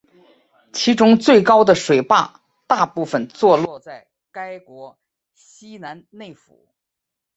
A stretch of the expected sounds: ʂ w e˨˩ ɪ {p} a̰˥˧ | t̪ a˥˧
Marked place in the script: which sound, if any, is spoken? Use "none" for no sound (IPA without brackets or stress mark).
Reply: p